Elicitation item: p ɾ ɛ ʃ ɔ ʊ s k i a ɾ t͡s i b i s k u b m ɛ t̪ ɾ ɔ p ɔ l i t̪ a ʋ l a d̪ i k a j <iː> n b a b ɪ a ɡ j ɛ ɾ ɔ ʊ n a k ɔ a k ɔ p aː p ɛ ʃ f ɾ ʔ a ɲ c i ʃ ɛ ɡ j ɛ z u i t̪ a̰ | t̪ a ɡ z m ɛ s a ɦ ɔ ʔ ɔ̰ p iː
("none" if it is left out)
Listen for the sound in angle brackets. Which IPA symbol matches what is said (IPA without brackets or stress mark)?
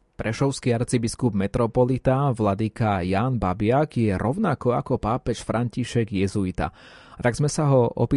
aː